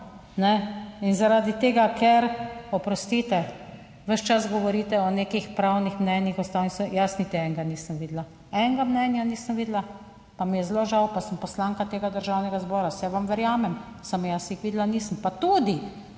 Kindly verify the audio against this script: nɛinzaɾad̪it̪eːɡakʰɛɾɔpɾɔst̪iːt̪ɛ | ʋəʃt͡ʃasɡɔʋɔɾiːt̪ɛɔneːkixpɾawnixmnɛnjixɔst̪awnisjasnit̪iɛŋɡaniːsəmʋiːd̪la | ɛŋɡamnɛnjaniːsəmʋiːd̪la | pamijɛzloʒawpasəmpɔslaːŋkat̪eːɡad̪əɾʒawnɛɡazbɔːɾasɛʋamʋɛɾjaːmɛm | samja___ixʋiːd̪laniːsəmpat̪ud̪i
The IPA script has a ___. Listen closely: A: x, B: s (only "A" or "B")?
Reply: B